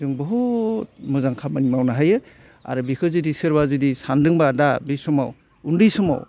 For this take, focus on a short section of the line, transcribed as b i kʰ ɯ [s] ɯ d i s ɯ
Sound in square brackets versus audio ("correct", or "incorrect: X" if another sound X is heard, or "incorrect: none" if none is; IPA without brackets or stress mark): incorrect: z